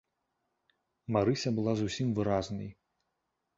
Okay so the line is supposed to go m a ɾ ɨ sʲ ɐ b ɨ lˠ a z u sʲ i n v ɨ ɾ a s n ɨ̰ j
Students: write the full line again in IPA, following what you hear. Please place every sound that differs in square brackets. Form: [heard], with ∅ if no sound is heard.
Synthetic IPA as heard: m a ɾ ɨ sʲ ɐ b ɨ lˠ a z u sʲ i [m] v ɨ ɾ a [z] n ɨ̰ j